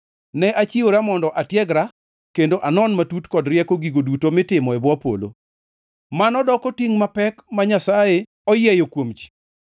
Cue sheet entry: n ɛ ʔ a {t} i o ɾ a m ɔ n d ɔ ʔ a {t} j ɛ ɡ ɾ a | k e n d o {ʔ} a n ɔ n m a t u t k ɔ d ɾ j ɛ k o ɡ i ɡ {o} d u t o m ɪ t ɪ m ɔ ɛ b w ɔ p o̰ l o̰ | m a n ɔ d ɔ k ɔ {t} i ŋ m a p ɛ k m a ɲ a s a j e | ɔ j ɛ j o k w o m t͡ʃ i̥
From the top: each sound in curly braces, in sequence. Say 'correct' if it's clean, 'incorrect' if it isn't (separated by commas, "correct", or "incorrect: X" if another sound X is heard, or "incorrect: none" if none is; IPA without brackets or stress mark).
incorrect: t͡ʃ, correct, correct, correct, correct